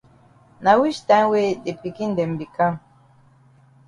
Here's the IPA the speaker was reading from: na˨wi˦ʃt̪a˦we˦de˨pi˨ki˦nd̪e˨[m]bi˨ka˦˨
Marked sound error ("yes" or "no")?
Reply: no